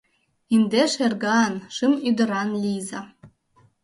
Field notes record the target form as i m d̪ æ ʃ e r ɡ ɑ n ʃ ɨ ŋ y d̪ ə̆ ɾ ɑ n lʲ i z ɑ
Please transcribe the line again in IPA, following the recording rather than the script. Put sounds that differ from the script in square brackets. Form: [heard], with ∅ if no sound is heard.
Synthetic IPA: i [n] d̪ [e] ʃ e r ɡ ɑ n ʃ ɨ [m] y d̪ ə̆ ɾ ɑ n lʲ i z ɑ